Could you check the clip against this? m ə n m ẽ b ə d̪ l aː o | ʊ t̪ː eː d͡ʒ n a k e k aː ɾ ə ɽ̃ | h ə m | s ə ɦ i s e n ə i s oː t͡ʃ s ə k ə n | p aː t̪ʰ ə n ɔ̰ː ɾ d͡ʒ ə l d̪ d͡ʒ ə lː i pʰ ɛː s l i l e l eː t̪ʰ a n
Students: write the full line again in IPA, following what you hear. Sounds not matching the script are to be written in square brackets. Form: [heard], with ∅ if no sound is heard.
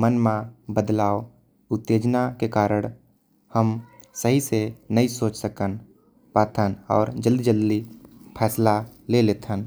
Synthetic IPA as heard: m ə n m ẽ b ə d̪ l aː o | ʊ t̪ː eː d͡ʒ n a k e k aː ɾ ə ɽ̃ | h ə m | s ə ɦ i s e n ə i s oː t͡ʃ s ə k ə n | p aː t̪ʰ ə n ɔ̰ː ɾ d͡ʒ ə l d̪ d͡ʒ ə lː i pʰ ɛː s l [a] l e l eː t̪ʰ [ə] n